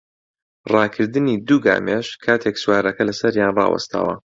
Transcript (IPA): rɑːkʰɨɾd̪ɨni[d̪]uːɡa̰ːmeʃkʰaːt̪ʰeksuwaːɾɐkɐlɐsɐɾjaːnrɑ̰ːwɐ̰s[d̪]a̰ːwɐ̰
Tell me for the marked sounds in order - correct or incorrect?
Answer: correct, incorrect

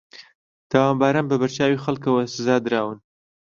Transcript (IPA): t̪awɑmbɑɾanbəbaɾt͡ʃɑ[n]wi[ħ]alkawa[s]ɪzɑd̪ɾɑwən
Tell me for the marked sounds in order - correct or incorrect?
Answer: incorrect, incorrect, correct

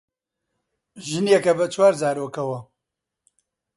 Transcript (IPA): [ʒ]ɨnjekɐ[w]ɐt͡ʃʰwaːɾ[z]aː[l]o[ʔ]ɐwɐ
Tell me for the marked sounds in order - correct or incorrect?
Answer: correct, incorrect, correct, incorrect, incorrect

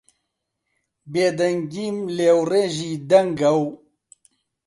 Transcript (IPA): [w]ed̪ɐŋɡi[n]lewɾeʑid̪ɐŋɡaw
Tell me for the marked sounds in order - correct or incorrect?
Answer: incorrect, incorrect

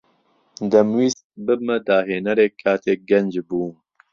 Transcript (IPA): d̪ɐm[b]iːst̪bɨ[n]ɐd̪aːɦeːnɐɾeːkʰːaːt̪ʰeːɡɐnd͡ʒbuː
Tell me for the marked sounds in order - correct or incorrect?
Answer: incorrect, incorrect

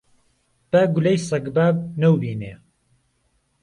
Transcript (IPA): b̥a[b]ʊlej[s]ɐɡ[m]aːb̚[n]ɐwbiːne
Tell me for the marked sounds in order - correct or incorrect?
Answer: incorrect, correct, incorrect, correct

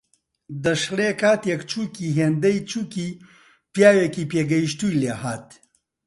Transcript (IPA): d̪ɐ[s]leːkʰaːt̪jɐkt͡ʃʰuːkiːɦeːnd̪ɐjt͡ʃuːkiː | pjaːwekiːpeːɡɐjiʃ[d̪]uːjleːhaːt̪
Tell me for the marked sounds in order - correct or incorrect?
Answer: incorrect, incorrect

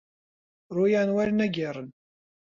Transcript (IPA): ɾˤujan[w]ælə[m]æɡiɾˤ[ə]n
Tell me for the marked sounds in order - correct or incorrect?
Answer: correct, incorrect, correct

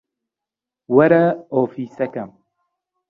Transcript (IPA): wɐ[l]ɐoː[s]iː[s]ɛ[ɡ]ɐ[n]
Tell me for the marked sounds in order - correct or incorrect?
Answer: incorrect, incorrect, correct, incorrect, incorrect

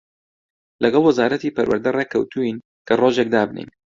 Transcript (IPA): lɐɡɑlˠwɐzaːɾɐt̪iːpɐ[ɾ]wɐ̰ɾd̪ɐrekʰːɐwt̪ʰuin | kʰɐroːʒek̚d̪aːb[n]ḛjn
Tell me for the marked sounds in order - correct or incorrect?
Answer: correct, correct

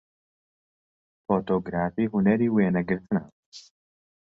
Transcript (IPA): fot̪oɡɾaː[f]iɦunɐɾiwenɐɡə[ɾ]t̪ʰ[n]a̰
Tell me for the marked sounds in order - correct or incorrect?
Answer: correct, correct, correct

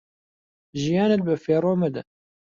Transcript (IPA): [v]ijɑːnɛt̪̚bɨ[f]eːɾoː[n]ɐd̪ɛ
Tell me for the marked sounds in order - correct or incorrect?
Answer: incorrect, correct, incorrect

